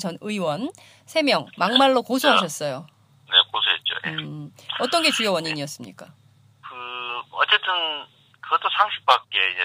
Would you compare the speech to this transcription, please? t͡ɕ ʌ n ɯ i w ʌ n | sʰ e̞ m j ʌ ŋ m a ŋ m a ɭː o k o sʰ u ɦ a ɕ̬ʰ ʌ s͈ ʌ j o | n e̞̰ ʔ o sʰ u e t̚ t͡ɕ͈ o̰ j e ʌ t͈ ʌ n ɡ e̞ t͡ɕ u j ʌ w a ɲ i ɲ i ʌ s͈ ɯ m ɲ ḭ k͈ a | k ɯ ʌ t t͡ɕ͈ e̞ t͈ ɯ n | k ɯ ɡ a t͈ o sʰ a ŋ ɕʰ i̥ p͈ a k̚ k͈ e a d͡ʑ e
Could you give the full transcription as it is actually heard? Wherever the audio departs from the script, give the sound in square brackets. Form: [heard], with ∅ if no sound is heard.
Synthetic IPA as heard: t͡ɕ ʌ n ɯ i w ʌ n | sʰ e̞ m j ʌ ŋ m a ŋ m a ɭː o k o sʰ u ɦ a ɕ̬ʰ ʌ s͈ ʌ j o | n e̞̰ [k] o sʰ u e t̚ t͡ɕ͈ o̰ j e ʌ t͈ ʌ n ɡ e̞ t͡ɕ u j ʌ w [ʌ] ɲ i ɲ i ʌ s͈ ɯ m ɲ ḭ k͈ a | k ɯ ʌ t t͡ɕ͈ e̞ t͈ ɯ n | k ɯ ɡ [ʌ] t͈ o sʰ a ŋ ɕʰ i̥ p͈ a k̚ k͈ e [i] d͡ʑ e